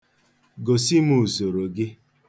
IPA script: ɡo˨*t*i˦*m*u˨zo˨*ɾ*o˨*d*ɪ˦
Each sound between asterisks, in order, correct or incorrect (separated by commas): incorrect, correct, correct, incorrect